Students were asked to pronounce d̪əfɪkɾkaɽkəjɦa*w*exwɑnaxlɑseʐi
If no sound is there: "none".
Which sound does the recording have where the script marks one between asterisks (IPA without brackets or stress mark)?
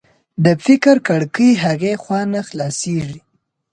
ɣ